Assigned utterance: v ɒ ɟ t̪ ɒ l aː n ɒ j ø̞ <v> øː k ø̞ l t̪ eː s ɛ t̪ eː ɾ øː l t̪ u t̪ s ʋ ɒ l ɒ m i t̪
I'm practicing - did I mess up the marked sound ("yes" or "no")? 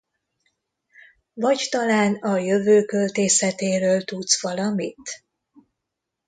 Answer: no